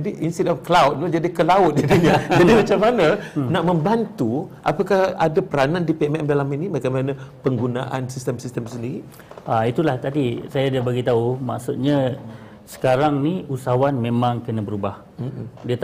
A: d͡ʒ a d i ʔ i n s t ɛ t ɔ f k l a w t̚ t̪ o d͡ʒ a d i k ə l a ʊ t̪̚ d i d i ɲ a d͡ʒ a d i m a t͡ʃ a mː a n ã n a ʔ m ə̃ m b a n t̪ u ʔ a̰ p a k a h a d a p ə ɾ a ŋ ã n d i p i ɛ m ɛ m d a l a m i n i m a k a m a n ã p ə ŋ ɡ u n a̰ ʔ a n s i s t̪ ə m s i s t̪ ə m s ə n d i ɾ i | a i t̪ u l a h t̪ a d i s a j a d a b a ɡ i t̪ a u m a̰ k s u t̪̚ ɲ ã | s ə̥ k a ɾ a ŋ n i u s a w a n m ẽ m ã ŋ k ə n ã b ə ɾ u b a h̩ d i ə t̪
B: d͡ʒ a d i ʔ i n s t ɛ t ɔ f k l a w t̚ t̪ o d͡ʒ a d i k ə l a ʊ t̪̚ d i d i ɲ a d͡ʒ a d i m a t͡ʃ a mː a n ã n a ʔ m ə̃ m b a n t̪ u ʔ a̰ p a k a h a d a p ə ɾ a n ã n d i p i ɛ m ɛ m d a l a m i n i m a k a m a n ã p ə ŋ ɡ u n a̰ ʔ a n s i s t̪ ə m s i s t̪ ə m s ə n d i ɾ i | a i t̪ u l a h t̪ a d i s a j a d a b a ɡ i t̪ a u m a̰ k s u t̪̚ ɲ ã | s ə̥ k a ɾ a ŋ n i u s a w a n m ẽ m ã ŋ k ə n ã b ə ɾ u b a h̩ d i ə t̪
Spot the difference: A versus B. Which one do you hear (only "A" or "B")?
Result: B